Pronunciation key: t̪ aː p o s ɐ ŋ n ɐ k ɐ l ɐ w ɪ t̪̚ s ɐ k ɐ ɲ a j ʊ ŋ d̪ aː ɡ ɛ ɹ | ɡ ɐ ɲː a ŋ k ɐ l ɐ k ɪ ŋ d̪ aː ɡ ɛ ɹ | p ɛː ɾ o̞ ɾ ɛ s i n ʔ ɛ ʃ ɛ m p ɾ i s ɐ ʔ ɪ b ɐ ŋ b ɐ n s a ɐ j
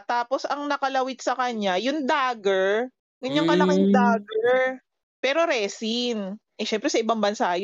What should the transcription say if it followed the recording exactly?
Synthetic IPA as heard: t̪ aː p o s ɐ ŋ n ɐ k ɐ l ɐ w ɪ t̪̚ s ɐ k ɐ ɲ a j ʊ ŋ d̪ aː ɡ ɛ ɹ | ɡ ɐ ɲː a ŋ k ɐ l ɐ k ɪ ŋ d̪ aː ɡ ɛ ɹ | p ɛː ɾ o̞ ɾ ɛ s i n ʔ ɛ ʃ ɛ m p ɾ ɛ s ɐ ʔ ɪ b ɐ ŋ b ɐ n s a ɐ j